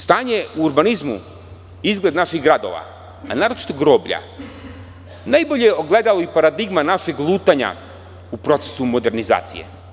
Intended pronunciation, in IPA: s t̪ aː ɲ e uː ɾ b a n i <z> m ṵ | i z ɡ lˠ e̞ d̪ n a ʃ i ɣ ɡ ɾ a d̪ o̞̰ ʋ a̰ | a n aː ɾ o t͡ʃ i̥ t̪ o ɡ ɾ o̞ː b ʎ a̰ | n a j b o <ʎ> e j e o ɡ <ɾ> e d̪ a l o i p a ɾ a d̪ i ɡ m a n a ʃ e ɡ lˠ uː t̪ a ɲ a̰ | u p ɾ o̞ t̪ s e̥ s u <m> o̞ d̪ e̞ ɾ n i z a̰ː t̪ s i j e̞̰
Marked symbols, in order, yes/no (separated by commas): yes, yes, no, yes